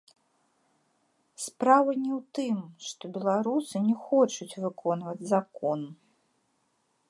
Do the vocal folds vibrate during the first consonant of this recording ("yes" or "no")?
no